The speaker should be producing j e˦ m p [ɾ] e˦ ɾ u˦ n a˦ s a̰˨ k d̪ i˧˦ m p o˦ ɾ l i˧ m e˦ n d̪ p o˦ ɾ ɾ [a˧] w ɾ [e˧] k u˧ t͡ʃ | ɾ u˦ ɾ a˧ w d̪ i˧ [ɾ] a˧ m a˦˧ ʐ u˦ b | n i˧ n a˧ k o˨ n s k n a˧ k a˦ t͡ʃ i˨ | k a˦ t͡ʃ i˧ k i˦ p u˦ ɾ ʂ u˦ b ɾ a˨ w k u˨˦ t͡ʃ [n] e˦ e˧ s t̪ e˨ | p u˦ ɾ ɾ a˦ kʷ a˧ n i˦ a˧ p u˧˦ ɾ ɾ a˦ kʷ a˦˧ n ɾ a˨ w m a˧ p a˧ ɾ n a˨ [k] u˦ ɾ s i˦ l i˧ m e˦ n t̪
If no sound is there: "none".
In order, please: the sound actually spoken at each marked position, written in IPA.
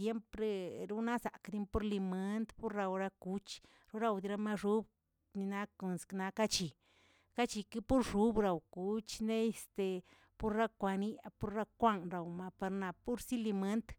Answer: ɾ, a˧, a˧, ɾ, n, p

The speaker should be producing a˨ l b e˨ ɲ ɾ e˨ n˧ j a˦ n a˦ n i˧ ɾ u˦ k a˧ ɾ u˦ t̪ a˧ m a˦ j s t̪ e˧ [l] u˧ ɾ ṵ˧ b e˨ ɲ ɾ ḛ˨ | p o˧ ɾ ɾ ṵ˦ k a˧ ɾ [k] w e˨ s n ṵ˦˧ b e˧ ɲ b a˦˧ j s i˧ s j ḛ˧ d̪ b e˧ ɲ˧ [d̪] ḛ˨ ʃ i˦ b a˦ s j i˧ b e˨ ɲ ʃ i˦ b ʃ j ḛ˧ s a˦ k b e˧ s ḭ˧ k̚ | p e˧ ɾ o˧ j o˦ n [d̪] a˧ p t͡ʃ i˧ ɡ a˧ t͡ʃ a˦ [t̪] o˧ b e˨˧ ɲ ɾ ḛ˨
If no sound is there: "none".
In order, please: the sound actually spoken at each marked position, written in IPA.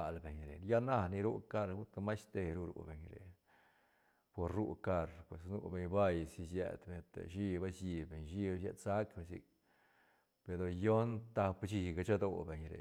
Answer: ɾ, p, t̪, t̪, d̪

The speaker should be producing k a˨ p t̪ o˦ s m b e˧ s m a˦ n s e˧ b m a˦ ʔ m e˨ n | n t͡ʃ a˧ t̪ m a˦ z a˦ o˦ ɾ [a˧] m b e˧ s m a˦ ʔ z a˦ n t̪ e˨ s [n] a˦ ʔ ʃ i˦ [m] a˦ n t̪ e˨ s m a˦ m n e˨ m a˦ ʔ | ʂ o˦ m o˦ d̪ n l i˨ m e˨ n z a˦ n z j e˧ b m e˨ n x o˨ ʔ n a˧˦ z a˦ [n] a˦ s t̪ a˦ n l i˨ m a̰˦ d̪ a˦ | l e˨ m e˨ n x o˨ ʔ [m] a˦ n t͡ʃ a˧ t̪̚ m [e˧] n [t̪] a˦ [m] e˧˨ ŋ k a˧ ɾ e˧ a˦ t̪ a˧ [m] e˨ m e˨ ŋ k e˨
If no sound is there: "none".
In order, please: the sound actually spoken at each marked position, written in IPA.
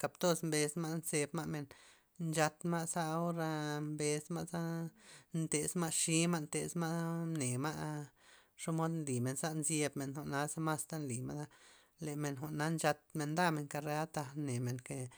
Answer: a˧, m, m, m, n, e˧, d̪, m, n

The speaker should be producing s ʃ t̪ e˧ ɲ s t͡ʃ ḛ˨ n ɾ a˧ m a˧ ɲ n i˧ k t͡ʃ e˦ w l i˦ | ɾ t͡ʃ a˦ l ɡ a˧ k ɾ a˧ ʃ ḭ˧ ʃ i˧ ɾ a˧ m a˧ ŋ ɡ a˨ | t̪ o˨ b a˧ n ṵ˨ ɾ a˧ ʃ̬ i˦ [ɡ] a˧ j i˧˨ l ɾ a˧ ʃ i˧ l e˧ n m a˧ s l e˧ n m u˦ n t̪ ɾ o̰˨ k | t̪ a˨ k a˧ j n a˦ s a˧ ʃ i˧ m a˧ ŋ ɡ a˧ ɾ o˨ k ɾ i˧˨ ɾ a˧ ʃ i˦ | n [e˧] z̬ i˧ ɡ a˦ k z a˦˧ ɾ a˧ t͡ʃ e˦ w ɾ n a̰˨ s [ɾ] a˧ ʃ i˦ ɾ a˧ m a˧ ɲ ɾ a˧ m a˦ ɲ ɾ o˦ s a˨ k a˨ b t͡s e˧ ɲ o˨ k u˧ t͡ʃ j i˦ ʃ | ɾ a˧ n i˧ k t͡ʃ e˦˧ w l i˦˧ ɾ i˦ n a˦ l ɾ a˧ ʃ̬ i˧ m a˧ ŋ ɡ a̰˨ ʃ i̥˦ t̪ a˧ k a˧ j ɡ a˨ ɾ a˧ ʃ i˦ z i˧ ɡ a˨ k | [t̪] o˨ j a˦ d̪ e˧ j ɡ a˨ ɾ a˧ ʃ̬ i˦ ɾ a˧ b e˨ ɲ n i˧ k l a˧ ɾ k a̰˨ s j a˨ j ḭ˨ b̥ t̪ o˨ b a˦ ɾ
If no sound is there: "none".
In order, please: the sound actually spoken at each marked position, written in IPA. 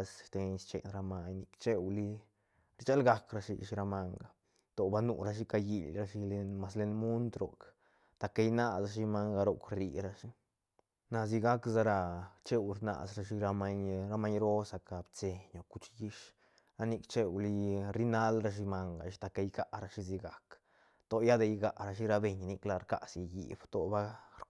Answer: k, a˧, ɾ, t̪

